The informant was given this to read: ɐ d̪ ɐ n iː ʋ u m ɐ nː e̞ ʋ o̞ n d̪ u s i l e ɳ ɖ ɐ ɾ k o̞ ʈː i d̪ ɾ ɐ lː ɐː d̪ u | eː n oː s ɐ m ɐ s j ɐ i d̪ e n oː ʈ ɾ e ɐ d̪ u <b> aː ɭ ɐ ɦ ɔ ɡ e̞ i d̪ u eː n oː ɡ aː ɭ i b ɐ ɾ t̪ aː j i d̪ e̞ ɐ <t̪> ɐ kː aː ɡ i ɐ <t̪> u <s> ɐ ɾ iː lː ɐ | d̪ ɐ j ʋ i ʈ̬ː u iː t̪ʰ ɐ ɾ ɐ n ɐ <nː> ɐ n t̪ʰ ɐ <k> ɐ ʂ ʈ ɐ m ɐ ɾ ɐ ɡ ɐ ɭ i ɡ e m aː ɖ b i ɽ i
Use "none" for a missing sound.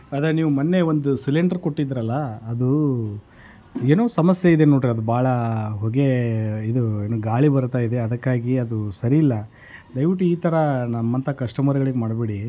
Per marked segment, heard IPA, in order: b, d̪, d̪, s, mː, k

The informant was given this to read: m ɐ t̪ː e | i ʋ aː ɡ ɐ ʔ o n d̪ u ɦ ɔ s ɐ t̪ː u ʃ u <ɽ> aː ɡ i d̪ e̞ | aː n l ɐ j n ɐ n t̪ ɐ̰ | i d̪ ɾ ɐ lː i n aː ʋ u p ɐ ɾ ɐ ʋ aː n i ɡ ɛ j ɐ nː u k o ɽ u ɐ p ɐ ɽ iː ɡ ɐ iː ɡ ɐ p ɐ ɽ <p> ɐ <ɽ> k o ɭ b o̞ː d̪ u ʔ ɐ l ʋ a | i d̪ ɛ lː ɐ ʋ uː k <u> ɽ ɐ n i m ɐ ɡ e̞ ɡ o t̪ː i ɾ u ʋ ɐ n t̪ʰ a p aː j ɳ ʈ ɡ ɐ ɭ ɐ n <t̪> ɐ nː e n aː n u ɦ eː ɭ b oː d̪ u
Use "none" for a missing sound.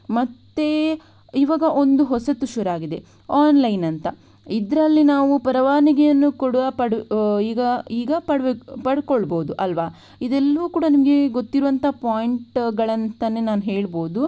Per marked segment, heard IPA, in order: ɾ, p, ɽ, uː, t̪

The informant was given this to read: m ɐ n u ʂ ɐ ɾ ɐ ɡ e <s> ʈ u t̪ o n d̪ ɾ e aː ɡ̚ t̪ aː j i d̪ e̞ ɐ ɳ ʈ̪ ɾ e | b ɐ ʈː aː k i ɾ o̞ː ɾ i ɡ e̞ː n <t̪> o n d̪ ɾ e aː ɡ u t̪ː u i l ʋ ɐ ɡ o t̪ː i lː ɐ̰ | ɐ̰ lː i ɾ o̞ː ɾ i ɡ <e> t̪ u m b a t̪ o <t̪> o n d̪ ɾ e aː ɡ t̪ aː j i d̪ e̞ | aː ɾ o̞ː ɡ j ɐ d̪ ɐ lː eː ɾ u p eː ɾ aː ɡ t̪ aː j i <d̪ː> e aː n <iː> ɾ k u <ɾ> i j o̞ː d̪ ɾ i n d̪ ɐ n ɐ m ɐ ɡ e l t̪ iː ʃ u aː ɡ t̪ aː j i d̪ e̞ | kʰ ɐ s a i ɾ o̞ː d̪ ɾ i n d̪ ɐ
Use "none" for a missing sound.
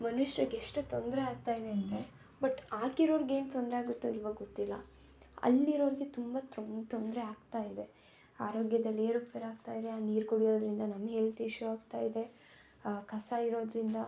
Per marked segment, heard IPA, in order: ʂ, t̪, e, t̪, d̪, iː, ɽ

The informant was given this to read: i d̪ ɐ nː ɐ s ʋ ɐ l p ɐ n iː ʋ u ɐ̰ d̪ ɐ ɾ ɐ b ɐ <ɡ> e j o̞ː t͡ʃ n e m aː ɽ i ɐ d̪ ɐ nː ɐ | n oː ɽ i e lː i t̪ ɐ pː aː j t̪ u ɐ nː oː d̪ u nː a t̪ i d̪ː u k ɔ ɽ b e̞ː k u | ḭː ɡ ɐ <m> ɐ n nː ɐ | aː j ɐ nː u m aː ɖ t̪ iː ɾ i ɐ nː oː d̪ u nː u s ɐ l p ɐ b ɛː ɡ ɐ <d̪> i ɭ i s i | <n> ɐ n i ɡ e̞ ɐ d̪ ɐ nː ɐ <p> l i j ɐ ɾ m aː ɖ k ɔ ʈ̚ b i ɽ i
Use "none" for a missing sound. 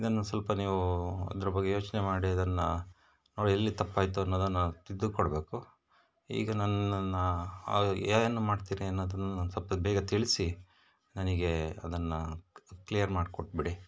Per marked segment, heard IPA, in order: ɡː, n, t̪, n, k

